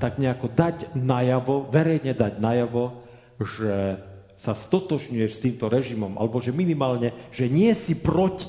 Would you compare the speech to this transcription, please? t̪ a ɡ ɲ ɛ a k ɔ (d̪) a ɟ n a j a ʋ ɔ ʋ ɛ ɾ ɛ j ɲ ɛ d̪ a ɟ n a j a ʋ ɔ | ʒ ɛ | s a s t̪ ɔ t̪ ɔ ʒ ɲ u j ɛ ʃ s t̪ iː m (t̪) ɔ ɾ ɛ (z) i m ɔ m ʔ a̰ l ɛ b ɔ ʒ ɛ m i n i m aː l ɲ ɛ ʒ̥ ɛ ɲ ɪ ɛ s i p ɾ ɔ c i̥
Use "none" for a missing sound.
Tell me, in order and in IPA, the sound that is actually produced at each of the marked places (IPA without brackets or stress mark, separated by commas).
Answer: d̪, t̪, ʒ